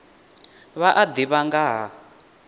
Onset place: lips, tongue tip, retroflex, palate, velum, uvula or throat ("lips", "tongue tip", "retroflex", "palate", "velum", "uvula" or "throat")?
lips